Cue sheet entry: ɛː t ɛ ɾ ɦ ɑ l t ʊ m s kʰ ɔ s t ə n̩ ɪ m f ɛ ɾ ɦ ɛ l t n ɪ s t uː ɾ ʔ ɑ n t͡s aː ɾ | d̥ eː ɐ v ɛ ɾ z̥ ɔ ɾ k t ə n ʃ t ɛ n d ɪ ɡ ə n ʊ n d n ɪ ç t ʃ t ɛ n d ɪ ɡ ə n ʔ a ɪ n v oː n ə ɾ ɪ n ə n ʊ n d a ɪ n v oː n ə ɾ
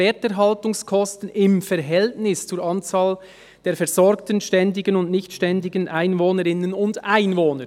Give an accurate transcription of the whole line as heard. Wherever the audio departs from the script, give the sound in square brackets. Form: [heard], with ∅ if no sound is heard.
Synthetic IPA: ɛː t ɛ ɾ ɦ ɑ l t ʊ [ŋ] s kʰ ɔ s t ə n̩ ɪ m f ɛ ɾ ɦ ɛ l t n ɪ s [t͡s] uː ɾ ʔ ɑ n t͡s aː [l] | d̥ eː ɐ [f] ɛ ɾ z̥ ɔ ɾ k t ə n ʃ t ɛ n d ɪ ɡ ə n ʊ n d n ɪ ç t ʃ t ɛ n d ɪ ɡ ə n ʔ a ɪ n v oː n ə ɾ ɪ n ə n ʊ n d a ɪ n v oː n ə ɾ